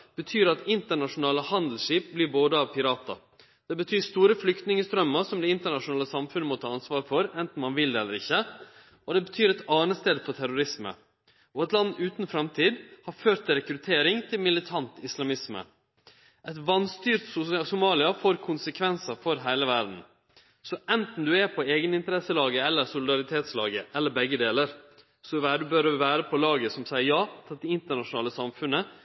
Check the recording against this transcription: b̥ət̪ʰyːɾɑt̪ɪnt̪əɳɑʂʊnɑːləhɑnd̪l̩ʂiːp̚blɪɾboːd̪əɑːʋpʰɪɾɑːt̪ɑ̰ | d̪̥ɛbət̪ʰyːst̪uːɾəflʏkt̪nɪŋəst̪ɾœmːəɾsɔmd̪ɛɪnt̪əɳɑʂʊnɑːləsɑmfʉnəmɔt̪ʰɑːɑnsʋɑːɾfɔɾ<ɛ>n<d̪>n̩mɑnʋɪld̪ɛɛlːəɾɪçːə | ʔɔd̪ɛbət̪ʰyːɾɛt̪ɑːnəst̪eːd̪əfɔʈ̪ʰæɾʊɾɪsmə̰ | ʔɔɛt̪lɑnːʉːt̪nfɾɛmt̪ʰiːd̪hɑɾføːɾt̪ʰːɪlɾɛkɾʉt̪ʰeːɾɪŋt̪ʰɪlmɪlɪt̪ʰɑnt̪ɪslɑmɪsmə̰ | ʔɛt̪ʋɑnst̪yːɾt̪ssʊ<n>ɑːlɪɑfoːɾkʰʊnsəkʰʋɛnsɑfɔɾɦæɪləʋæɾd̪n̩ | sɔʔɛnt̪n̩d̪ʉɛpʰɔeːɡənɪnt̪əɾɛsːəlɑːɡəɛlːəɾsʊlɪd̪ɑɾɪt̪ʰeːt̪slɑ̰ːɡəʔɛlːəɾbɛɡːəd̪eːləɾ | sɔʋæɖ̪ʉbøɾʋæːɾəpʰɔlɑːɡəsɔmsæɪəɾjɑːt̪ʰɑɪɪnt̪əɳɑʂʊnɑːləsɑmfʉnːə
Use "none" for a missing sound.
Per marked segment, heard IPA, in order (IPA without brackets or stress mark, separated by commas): ɛ, t̪, m